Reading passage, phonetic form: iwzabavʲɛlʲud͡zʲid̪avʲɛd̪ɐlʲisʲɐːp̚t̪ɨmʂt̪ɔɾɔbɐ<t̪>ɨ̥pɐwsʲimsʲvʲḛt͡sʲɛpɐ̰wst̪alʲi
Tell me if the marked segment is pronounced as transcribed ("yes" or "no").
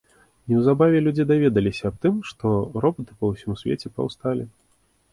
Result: yes